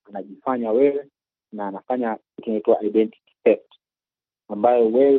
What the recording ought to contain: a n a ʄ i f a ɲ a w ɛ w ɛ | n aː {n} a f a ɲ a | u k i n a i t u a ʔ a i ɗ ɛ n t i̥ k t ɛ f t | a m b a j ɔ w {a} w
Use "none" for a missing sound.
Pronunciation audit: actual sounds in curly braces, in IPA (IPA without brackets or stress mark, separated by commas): n, ɛ